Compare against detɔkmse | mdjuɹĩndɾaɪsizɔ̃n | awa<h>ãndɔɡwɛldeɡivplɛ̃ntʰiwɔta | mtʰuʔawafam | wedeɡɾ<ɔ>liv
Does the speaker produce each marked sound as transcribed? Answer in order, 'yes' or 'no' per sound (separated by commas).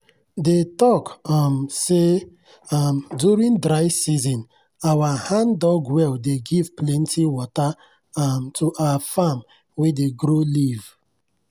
yes, no